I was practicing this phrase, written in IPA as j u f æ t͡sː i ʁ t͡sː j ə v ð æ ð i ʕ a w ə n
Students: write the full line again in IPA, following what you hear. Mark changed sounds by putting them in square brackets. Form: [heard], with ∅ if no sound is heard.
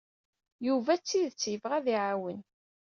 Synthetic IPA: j u [v] æ t͡sː i [ð] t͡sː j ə v [ʁ] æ ð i ʕ a w ə n